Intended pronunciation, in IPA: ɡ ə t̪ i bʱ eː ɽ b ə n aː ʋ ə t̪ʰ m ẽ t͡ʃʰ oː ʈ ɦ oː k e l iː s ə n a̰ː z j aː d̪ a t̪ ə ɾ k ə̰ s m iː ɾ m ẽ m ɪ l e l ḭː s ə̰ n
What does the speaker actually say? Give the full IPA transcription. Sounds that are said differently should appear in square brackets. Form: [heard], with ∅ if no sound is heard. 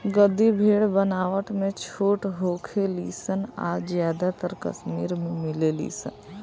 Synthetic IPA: ɡ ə [d̪] i bʱ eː ɽ b ə n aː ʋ ə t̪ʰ m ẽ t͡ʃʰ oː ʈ ɦ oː [kʰ] e l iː s ə n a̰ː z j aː d̪ a t̪ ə ɾ k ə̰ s m iː ɾ m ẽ m ɪ l e l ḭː s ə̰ n